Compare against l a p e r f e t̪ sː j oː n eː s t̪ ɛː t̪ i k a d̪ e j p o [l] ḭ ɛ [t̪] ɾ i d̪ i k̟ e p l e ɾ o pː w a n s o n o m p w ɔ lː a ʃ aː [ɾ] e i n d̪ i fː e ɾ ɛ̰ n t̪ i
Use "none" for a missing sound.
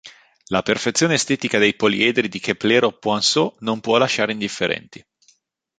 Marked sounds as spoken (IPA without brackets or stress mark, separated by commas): l, d̪, ɾ